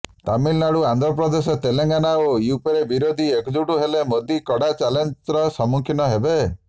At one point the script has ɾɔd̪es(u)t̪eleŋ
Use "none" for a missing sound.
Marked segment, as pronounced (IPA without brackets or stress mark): ɔ